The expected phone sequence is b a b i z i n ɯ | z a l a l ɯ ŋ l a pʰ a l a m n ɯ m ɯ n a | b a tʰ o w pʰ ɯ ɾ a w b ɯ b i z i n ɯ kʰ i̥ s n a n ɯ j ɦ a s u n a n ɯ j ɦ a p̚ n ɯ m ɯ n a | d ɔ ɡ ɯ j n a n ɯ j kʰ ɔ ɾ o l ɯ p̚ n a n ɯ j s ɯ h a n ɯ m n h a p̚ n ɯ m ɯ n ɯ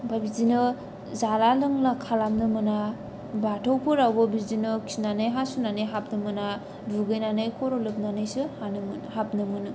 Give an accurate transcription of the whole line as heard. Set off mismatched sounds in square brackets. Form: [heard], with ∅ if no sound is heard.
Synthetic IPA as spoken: b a b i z i n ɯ | z a l a l ɯ ŋ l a [kʰ] a l a m n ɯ m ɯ n a | b a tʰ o w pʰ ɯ ɾ a w b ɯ b i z i n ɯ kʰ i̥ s n a n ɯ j ɦ a s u n a n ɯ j ɦ a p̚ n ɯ m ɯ n a | d [u] ɡ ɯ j n a n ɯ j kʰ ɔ ɾ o l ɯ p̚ n a n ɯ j s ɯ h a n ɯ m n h a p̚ n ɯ m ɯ n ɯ